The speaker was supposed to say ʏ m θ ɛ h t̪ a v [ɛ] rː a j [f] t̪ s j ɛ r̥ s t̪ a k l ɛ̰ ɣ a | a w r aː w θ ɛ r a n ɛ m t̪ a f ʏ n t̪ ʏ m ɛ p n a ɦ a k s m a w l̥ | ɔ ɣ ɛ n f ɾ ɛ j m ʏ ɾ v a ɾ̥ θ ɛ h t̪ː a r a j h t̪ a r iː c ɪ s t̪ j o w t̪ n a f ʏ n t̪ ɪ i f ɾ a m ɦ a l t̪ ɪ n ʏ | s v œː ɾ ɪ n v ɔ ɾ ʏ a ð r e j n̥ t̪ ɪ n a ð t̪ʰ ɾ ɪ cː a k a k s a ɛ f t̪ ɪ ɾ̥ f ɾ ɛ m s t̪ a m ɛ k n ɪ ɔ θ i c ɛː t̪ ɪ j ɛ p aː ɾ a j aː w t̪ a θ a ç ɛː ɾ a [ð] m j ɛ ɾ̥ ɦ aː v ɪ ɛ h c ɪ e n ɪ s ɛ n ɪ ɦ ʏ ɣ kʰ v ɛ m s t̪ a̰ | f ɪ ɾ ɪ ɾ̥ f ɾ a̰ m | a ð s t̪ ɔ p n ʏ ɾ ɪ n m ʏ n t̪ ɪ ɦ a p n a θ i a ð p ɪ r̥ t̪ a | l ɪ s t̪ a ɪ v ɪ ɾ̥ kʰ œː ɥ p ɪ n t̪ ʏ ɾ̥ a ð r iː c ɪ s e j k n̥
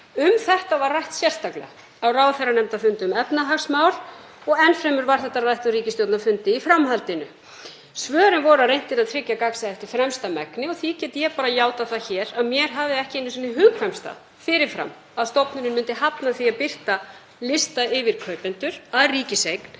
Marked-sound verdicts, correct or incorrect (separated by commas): incorrect, incorrect, correct